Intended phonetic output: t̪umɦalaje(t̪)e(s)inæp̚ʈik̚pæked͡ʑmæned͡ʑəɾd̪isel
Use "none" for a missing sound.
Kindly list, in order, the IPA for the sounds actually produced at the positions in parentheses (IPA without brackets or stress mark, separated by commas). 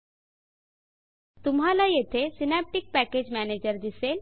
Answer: t̪ʰ, s